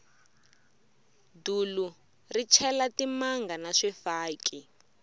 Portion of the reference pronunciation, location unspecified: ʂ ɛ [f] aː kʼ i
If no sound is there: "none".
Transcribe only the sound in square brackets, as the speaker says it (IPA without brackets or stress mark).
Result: f